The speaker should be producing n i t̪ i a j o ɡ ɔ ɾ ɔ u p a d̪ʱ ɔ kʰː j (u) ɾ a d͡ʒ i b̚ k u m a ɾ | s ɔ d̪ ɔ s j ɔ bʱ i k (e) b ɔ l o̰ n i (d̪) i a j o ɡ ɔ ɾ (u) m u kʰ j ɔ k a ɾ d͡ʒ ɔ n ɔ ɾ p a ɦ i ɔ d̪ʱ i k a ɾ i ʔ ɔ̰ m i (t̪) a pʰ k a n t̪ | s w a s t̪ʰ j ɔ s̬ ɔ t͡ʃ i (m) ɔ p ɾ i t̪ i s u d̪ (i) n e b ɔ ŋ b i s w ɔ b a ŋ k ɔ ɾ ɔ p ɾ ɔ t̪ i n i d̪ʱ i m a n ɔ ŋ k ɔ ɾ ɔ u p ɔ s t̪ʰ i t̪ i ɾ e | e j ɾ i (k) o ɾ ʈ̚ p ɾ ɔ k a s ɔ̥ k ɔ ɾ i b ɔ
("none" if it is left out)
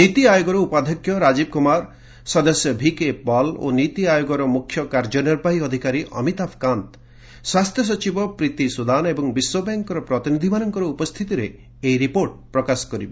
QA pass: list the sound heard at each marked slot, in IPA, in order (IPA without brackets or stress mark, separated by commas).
ɔ, e, t̪, ɔ, t̪, b, a, p